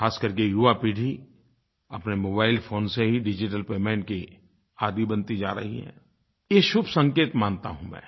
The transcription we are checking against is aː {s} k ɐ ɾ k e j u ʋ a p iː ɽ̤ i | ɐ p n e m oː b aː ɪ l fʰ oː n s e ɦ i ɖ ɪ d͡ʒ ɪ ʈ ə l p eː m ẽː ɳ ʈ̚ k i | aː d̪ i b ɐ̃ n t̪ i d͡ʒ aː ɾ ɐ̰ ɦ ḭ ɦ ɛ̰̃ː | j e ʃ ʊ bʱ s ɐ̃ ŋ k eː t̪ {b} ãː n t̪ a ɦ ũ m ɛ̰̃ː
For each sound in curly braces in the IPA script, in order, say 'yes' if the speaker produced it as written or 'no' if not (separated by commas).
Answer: yes, no